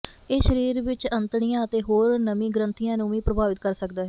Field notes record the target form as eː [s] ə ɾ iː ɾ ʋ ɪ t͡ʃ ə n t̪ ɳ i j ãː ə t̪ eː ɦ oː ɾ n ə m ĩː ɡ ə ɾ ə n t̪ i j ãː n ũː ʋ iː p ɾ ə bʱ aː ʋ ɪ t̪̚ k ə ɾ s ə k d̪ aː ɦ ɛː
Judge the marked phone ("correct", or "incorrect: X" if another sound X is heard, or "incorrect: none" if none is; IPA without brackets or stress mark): incorrect: ʃ